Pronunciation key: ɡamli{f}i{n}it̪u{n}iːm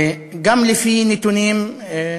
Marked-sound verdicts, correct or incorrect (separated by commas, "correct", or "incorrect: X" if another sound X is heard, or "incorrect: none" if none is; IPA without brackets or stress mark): correct, correct, correct